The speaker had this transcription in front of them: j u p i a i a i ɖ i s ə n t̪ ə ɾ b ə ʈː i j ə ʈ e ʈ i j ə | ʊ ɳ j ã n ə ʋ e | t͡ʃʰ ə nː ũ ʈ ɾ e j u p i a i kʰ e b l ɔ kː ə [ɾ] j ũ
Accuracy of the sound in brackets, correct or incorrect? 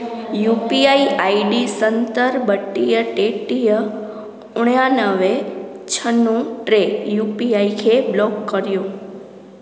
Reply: correct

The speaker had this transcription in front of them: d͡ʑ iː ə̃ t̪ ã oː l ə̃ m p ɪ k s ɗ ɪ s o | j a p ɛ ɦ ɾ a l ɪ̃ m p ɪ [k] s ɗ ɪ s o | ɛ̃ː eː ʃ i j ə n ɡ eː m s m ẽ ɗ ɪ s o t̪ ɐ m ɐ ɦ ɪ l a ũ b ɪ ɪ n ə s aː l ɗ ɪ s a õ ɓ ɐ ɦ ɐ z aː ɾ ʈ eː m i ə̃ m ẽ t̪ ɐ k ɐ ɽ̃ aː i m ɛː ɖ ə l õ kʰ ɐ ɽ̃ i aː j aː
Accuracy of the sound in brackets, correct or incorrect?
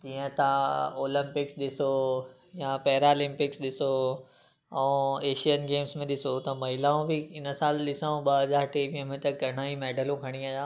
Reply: correct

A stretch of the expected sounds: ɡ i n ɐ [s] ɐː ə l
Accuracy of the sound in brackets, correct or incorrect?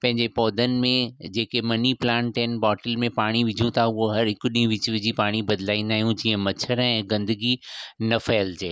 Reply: incorrect: f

